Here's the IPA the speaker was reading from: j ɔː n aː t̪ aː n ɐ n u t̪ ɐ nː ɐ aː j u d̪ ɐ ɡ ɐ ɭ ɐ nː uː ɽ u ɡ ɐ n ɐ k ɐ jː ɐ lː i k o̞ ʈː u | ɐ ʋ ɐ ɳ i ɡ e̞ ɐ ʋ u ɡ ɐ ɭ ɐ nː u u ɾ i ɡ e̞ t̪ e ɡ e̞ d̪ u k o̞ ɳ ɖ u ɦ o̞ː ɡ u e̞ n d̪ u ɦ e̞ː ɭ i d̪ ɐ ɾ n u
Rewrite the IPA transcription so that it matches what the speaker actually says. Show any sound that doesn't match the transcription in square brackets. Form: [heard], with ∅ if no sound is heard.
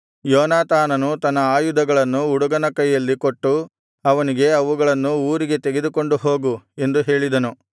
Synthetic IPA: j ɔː n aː t̪ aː n ɐ n u t̪ ɐ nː ɐ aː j u d̪ ɐ ɡ ɐ ɭ ɐ nː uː ɽ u ɡ ɐ n ɐ k ɐ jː ɐ lː i k o̞ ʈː u | ɐ ʋ ɐ [n] i ɡ e̞ ɐ ʋ u ɡ ɐ ɭ ɐ nː u [uː] ɾ i ɡ e̞ t̪ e ɡ e̞ d̪ u k o̞ ɳ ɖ u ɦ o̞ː ɡ u e̞ n d̪ u ɦ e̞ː ɭ i d̪ ɐ [∅] n u